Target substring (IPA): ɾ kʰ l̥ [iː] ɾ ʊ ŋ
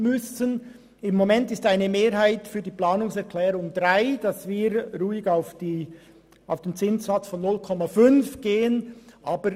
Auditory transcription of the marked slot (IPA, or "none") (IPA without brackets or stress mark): ɛː